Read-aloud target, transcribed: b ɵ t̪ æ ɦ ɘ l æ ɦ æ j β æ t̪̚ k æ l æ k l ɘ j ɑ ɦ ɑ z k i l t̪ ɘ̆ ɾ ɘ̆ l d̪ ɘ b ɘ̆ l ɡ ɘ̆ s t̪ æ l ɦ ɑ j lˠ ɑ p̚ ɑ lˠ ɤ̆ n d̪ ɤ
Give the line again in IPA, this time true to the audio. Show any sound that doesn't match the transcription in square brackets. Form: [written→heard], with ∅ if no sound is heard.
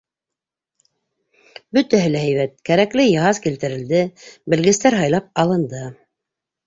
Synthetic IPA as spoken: b ɵ t̪ æ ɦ ɘ l æ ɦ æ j β æ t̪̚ k æ [l→ɾ] æ k l ɘ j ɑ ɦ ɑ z k i l t̪ ɘ̆ ɾ ɘ̆ l d̪ ɘ b ɘ̆ l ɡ ɘ̆ s t̪ æ [l→ɾ] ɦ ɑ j lˠ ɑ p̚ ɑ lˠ ɤ̆ n d̪ ɤ